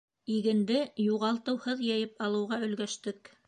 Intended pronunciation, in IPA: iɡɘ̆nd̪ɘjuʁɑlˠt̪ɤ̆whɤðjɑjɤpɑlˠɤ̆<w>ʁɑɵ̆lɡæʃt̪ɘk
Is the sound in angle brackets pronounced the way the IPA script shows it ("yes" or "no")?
yes